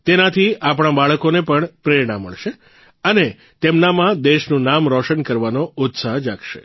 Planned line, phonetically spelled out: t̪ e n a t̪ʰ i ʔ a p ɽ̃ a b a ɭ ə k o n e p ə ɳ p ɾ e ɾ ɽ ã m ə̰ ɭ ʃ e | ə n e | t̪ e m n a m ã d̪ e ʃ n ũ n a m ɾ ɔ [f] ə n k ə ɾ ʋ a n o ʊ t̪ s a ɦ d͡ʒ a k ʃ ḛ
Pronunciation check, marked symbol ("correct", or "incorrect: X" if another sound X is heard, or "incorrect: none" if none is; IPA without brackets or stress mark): incorrect: ʃ